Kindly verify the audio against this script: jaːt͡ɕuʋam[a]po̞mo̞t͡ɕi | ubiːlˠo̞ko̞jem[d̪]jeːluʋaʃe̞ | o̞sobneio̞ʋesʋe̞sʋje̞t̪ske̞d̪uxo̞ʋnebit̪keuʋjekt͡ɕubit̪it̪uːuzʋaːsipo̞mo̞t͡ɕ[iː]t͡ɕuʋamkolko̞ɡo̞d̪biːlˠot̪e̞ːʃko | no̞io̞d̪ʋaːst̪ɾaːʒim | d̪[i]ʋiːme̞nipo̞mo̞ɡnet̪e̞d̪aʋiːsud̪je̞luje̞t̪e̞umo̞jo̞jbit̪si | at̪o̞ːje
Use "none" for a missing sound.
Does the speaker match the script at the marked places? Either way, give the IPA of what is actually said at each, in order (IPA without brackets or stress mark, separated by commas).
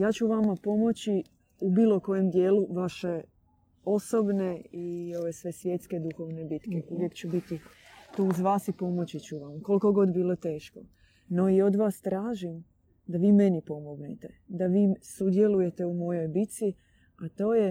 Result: a, d̪, i, a